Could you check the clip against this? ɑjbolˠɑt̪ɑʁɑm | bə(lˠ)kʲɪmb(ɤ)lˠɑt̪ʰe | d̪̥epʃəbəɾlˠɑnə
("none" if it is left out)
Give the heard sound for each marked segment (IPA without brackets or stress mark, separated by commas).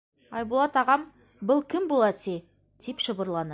lˠ, o